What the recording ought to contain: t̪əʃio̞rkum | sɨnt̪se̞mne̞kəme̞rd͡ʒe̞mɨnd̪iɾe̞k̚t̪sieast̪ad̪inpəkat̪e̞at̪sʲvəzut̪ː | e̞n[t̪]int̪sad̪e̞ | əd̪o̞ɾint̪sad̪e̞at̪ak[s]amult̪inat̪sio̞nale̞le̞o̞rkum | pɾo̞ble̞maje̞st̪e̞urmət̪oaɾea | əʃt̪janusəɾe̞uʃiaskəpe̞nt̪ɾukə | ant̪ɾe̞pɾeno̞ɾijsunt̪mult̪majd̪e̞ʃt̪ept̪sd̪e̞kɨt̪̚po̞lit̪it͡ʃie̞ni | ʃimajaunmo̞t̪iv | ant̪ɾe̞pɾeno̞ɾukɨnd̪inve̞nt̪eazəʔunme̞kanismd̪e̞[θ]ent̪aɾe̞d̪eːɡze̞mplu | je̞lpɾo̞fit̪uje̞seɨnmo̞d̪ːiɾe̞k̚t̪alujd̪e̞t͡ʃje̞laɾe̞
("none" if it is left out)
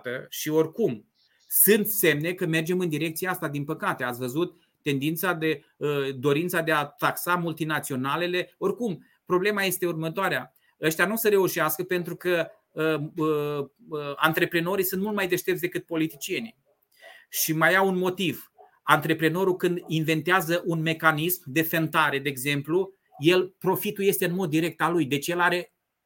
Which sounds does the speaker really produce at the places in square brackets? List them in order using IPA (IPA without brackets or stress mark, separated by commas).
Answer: d̪, s, f